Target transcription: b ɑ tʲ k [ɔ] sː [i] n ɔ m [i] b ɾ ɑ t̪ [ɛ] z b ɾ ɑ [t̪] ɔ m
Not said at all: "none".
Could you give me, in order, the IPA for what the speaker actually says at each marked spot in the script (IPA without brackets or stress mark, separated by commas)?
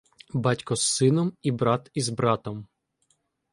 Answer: ɔ, ɪ, i, i, t̪